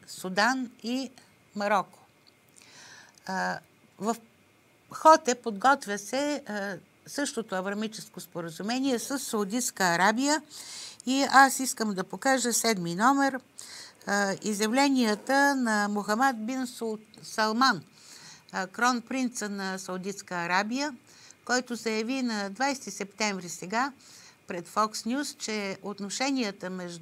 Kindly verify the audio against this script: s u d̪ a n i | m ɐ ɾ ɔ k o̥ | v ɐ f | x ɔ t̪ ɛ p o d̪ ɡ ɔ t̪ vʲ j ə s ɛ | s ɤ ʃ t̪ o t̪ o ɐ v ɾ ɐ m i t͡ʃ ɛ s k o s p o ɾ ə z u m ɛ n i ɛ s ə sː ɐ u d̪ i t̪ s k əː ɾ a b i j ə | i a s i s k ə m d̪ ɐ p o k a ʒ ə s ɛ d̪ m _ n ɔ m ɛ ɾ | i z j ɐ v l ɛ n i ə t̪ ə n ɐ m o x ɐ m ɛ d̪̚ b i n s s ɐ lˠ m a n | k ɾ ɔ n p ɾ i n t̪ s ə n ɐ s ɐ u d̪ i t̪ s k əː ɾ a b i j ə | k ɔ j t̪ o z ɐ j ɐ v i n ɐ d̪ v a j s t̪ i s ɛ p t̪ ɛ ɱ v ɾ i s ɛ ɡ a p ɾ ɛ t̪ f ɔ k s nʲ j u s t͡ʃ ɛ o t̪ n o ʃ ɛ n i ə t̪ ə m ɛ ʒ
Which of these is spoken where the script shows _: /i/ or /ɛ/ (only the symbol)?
i